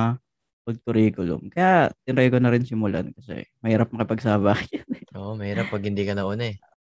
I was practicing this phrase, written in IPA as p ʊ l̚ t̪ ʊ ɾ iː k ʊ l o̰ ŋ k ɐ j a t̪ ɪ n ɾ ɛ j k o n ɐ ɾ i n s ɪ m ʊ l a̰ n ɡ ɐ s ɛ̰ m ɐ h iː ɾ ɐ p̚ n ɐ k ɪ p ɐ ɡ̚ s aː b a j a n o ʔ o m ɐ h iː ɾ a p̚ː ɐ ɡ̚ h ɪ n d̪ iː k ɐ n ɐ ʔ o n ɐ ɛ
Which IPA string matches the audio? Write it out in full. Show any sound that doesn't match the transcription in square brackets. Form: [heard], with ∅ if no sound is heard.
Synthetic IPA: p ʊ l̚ t̪ ʊ ɾ iː k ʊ l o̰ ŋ k ɐ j a t̪ ɪ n ɾ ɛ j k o n ɐ ɾ [ɪ] n s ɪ m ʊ l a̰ n [k] ɐ s ɛ̰ m ɐ h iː ɾ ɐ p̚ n ɐ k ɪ p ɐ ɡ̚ s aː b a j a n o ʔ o m ɐ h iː ɾ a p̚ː ɐ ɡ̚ h ɪ n d̪ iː k ɐ n ɐ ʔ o n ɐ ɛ